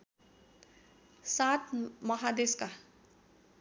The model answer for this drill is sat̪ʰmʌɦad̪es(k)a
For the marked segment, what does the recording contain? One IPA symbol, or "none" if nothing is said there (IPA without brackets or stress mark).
k